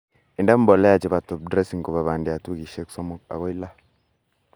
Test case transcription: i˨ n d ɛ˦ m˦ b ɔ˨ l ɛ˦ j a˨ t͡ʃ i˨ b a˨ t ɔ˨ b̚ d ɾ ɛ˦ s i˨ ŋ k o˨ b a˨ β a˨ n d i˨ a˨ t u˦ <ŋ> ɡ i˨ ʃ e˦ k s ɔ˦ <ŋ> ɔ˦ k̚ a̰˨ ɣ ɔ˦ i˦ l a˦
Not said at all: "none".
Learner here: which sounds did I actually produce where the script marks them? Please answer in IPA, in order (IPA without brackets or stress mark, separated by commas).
none, m